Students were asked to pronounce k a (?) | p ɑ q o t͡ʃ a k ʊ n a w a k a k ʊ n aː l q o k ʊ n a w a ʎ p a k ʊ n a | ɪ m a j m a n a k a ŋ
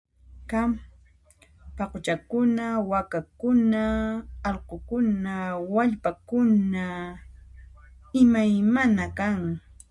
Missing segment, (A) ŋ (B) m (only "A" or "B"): B